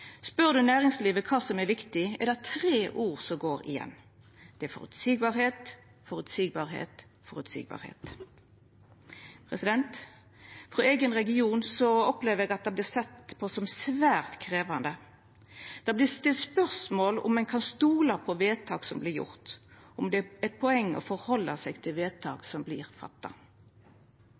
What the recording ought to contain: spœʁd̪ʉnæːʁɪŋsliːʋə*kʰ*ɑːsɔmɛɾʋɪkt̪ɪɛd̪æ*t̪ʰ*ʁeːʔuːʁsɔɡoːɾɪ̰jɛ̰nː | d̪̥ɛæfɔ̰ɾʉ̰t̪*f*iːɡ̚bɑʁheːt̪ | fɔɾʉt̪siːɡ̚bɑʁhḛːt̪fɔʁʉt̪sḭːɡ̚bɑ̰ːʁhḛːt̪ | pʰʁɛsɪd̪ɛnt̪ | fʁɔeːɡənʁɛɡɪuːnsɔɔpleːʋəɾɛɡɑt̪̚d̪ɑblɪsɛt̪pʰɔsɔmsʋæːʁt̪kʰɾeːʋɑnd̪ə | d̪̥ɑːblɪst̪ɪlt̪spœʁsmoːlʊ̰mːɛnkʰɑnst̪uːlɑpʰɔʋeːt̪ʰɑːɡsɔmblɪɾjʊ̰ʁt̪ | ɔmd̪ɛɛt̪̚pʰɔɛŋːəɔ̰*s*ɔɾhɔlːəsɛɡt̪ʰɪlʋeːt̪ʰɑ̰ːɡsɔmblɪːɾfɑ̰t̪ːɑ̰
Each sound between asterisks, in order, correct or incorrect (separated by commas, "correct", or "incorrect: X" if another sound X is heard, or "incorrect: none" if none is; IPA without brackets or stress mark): correct, correct, incorrect: s, incorrect: f